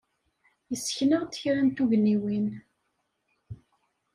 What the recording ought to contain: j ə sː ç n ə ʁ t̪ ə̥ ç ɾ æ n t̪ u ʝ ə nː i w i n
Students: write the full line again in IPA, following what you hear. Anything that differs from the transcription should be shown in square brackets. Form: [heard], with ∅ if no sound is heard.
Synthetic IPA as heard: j ə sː ç n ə ʁ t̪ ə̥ ç ɾ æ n t̪ u ʝ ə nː i w i n